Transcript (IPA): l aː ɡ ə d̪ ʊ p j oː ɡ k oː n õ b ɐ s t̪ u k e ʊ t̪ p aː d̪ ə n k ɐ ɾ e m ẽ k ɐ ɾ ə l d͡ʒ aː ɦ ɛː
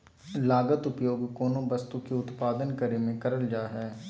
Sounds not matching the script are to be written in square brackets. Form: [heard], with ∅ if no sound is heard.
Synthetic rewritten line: l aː ɡ ə [t̪] ʊ p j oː ɡ k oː n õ b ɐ s t̪ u k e ʊ t̪ p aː d̪ ə n k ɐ ɾ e m ẽ k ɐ ɾ ə l d͡ʒ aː ɦ ɛː

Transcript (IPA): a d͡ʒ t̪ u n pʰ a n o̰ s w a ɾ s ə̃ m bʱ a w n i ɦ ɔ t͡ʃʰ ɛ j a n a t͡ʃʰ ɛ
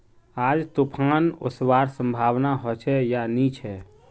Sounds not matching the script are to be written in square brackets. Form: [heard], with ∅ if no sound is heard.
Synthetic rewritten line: a d͡ʒ t̪ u [∅] pʰ a n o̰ s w a ɾ s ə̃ m bʱ a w n [a] ɦ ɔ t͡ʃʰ ɛ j a n [i] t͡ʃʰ ɛ

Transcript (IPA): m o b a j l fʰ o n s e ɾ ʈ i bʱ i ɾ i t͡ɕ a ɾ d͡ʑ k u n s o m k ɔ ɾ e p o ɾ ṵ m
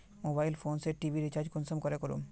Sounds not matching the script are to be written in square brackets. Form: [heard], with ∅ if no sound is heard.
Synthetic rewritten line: m o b a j l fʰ o n s e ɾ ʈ i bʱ i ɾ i t͡ɕ a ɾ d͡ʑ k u n s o m k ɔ ɾ e [k] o ɾ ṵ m

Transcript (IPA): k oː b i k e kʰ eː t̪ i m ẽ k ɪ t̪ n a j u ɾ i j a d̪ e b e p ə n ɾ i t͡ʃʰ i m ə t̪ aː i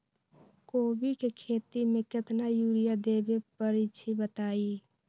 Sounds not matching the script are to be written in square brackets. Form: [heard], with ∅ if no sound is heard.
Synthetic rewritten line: k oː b i k e kʰ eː t̪ i m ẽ k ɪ t̪ n a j u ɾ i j a d̪ e b e p ə [∅] ɾ i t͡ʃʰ i [b] ə t̪ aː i

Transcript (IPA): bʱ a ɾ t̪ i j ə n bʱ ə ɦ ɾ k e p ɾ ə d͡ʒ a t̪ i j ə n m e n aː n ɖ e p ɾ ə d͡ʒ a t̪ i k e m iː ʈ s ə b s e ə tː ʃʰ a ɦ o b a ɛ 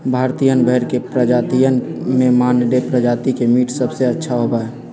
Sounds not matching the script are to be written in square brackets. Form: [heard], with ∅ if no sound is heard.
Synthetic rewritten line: bʱ a ɾ t̪ i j ə n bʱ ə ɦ ɾ k e p ɾ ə d͡ʒ a t̪ i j ə n m e [m] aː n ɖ e p ɾ ə d͡ʒ a t̪ i k e m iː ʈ s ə b s e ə tː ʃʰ a ɦ o b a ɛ

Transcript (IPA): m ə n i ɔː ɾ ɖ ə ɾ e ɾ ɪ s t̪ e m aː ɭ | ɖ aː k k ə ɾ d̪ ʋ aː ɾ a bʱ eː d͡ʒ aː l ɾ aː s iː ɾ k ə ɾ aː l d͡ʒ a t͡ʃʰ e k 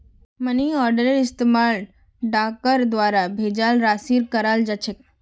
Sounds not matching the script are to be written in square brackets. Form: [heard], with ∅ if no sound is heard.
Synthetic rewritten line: m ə n i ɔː ɾ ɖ ə ɾ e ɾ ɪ s t̪ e m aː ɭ | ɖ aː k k ə ɾ d̪ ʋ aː ɾ a bʱ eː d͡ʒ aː l ɾ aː s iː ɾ k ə ɾ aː l d͡ʒ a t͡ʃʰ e k

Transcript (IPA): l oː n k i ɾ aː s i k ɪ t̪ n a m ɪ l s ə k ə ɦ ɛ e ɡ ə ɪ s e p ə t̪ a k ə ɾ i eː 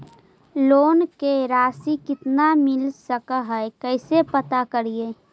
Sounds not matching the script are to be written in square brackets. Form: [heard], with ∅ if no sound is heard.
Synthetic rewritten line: l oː n k [e] ɾ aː s i k ɪ t̪ n a m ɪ l s ə k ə ɦ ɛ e [k] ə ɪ s e p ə t̪ a k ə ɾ i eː

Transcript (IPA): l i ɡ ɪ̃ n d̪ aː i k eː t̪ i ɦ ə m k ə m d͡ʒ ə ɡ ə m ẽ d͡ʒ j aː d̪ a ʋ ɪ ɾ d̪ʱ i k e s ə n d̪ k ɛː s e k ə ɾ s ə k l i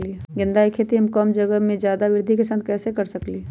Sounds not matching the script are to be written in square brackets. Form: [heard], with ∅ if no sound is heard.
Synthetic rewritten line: l i ɡ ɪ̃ n d̪ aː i [kʰ] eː t̪ i ɦ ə m k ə m d͡ʒ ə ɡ ə m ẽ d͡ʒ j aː d̪ a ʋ ɪ ɾ d̪ʱ i k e s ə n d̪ k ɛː s e k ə ɾ s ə k l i

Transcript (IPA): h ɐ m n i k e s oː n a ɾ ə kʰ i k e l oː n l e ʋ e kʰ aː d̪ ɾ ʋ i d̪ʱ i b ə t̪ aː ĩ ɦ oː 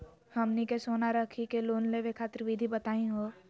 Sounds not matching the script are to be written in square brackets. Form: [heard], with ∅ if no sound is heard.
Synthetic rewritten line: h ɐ m n i k e s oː n a ɾ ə kʰ i k e l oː n l e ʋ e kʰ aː [t̪] ɾ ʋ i d̪ʱ i b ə t̪ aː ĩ ɦ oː

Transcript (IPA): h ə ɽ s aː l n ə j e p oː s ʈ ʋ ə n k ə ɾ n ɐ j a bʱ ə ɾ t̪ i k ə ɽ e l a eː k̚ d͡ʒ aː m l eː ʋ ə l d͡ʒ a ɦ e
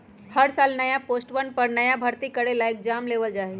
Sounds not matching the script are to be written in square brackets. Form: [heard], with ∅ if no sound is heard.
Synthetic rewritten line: h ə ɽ s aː l n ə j [a] p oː s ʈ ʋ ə n [p] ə ɾ n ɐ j a bʱ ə ɾ t̪ i k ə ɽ e l a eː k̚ d͡ʒ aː m l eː ʋ ə l d͡ʒ a ɦ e

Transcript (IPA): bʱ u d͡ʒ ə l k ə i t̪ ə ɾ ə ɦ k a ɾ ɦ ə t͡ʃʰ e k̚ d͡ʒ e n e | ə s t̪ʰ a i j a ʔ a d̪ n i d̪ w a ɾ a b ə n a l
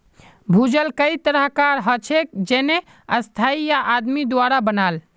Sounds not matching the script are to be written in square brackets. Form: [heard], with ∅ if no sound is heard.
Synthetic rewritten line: bʱ u d͡ʒ ə l k ə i t̪ ə ɾ ə ɦ k a ɾ ɦ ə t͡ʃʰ e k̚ d͡ʒ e n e | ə s t̪ʰ a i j a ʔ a d̪ [m] i d̪ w a ɾ a b ə n a l

